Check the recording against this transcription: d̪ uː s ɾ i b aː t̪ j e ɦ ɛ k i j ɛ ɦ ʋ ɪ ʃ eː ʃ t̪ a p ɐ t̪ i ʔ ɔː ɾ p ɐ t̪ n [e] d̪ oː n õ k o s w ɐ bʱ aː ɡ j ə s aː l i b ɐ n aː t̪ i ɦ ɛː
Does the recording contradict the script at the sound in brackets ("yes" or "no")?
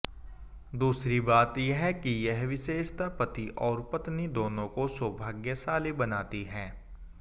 yes